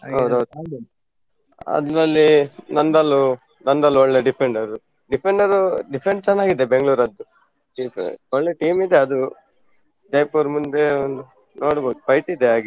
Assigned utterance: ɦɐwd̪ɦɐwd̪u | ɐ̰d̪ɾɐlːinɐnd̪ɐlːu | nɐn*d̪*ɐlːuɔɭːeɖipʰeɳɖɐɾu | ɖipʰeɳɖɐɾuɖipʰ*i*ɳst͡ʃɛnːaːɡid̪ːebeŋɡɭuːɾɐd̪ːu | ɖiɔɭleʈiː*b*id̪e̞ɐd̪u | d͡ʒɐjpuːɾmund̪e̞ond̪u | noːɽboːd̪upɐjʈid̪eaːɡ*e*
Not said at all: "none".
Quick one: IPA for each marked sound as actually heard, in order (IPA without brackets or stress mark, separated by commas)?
d̪, e, m, i